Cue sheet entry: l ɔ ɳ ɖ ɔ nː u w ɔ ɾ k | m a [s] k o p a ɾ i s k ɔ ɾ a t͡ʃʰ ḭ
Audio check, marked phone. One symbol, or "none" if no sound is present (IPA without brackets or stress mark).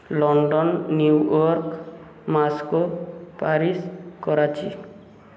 s